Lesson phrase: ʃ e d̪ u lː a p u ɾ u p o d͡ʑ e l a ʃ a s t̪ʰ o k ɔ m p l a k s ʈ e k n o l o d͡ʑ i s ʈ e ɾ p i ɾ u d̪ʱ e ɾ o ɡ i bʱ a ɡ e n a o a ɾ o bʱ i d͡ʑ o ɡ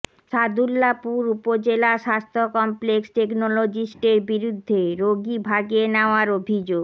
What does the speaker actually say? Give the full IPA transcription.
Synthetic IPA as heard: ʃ a d̪ u lː a p u ɾ u p o d͡ʑ e l a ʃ a s t̪ʰ o k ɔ m p l e k s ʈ e k n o l o d͡ʑ i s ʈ e ɾ b i ɾ u d̪ʱː e ɾ o ɡ i bʱ a ɡ e n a o a ɾ o bʱ i d͡ʑ o ɡ